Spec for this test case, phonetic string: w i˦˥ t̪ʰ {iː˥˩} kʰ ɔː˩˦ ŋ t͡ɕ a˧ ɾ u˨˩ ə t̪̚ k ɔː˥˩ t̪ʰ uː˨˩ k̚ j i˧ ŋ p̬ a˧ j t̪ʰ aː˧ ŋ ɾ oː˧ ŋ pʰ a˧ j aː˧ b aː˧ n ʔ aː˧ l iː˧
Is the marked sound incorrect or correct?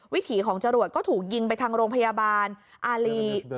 incorrect